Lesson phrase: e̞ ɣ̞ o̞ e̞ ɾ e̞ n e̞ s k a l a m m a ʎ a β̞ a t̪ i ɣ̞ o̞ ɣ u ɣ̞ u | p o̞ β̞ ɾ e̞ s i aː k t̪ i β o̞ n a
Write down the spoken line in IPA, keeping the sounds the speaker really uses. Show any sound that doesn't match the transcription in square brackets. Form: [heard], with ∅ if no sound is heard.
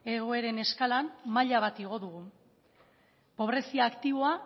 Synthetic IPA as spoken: e̞ ɣ̞ o̞ e̞ ɾ e̞ n e̞ s k a l a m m a ʎ a β̞ a t̪ i ɣ̞ o̞ [ð] u ɣ̞ u | p o̞ β̞ ɾ e̞ s i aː k t̪ i β o̞ [∅] a